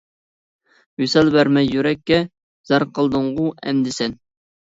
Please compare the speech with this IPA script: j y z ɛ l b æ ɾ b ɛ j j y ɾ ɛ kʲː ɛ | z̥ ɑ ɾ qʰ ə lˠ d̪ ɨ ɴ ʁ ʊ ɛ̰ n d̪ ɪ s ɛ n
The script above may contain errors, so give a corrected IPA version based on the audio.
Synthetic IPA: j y s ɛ l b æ ɾ m ɛ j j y ɾ ɛ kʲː ɛ | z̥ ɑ ɾ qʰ ə lˠ d̪ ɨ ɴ ʁ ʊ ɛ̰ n d̪ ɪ s ɛ n